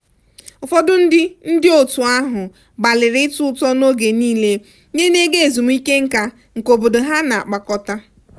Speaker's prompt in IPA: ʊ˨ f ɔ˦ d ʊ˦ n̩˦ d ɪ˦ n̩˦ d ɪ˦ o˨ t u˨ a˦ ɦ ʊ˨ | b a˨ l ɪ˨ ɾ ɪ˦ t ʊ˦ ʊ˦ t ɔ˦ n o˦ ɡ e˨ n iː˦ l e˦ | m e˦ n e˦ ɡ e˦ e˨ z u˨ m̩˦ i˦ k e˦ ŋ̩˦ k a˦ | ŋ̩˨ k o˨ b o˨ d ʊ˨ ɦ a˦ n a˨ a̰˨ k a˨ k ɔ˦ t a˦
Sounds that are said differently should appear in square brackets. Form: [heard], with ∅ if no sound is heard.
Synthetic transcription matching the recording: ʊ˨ f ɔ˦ d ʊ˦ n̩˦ d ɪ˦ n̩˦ d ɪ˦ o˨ t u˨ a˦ ɦ ʊ˨ | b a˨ l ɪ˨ ɾ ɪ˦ t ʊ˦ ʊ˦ t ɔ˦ n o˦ ɡ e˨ n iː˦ l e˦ | [ɲ] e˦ n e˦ ɡ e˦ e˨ z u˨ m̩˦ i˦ k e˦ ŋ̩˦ k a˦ | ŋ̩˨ k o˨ b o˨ d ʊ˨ ɦ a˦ n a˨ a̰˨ [k͡p] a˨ k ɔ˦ t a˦